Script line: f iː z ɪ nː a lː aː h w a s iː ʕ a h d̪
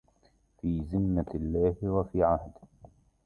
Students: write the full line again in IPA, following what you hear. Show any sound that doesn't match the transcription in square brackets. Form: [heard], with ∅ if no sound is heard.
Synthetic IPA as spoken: f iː z ɪ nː a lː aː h w a [f] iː ʕ a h d̪